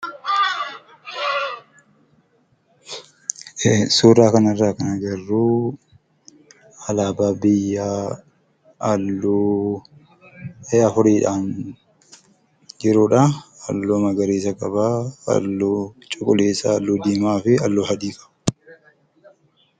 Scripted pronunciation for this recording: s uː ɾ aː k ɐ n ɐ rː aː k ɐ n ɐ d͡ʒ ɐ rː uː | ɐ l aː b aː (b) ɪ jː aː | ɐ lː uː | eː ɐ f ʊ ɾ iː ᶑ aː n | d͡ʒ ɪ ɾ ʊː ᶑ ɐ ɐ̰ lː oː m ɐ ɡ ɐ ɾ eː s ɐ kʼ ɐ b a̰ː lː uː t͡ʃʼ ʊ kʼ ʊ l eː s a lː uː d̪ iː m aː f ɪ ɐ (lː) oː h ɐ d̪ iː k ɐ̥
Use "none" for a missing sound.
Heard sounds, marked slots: b, lː

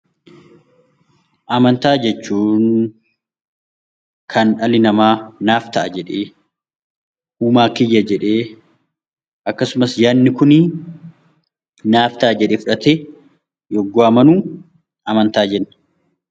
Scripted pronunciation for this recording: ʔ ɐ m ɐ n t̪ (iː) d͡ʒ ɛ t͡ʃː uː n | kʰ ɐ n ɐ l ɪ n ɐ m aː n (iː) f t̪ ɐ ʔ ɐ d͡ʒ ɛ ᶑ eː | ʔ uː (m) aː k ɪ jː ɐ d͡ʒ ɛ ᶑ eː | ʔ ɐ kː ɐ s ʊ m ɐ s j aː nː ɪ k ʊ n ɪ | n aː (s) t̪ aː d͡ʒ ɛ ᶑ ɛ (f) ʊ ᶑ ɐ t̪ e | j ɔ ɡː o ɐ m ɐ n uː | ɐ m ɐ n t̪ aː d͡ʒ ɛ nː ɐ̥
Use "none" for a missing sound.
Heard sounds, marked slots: aː, aː, m, f, f

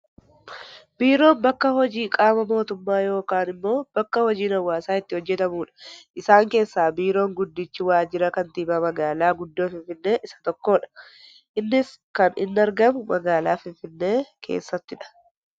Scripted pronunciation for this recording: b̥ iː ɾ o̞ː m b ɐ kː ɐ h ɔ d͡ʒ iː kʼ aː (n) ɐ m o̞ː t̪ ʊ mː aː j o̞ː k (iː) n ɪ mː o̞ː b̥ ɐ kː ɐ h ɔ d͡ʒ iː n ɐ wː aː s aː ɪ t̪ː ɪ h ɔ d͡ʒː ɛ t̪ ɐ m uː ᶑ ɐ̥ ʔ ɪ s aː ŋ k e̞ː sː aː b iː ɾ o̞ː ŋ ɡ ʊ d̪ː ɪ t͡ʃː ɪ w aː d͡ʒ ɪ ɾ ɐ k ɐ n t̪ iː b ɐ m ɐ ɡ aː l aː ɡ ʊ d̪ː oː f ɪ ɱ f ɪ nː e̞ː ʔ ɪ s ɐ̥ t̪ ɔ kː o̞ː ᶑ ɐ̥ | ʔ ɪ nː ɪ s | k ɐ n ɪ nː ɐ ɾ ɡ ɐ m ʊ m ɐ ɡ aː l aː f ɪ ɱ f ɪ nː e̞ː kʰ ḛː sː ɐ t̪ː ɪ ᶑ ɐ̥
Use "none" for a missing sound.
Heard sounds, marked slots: m, aː

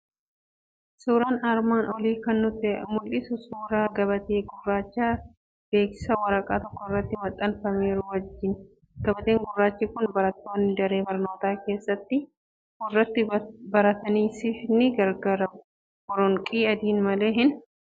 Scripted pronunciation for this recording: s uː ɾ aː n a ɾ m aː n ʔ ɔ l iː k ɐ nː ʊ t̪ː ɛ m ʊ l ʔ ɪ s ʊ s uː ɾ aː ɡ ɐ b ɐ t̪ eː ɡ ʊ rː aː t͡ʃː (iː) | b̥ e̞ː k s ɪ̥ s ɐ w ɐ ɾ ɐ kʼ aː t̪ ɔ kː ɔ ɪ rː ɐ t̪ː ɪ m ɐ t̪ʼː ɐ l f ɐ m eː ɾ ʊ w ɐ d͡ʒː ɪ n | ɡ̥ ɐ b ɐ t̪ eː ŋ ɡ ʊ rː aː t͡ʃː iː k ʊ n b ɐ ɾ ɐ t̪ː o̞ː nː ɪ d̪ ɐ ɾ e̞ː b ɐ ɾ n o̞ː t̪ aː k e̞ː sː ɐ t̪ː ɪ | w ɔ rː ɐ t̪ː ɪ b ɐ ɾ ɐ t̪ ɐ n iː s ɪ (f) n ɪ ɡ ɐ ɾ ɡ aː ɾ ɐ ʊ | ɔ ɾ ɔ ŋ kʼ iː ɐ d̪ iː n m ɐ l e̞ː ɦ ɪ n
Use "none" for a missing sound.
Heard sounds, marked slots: aː, f

